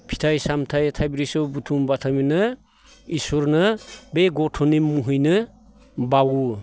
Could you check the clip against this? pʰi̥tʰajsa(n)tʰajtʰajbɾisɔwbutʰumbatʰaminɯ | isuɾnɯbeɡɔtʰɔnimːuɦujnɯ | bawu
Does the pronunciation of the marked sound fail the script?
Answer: yes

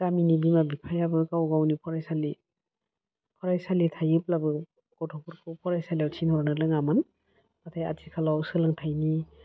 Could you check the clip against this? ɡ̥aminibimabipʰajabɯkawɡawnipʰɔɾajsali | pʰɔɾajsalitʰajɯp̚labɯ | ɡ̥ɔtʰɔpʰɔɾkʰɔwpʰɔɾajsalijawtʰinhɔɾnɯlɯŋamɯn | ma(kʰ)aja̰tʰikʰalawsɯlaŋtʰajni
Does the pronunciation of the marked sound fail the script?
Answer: yes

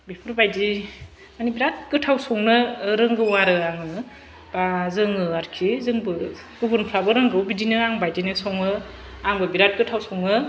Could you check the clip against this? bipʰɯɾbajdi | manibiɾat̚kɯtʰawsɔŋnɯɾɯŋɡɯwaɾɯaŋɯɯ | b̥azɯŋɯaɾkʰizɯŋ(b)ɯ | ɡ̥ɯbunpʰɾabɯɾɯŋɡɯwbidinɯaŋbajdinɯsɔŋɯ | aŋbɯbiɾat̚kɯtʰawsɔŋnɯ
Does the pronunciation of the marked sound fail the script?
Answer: no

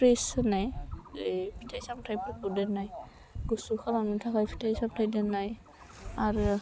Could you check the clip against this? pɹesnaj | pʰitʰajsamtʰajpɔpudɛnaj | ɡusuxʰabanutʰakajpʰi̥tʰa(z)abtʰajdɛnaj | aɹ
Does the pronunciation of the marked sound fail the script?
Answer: yes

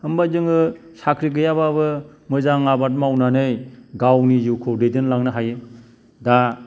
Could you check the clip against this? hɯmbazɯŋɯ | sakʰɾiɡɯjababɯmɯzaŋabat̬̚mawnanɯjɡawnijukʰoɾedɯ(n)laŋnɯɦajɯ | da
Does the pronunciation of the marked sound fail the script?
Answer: no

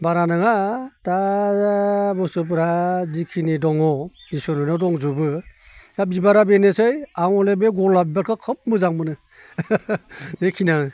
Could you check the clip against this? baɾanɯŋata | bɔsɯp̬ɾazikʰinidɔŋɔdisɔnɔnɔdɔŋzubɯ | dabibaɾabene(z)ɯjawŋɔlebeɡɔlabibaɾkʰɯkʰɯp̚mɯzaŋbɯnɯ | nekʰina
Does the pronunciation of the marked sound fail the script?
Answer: yes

